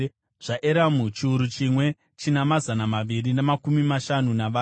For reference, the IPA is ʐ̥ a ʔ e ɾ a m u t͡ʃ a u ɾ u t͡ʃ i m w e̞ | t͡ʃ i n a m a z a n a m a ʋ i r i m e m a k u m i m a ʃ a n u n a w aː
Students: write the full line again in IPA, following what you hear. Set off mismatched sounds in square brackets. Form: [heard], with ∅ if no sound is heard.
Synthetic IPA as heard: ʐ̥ a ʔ e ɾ a m u t͡ʃ [i] u ɾ u t͡ʃ i m w e̞ | t͡ʃ i n a m a z a n a m a ʋ i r i [n] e m a k u m i m a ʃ a n u n a [ʋ] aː